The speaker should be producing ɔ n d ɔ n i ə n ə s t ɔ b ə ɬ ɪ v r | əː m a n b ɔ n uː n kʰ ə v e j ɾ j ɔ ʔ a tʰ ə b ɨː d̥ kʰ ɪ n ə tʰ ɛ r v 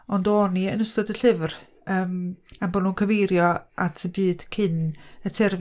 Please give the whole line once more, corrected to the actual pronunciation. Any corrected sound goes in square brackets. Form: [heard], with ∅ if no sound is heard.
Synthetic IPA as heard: ɔ n d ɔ n i ə n ə s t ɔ [d] ə ɬ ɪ v r | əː m a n b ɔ n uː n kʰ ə v e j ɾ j ɔ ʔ a tʰ ə b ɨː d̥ kʰ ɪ n ə tʰ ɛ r v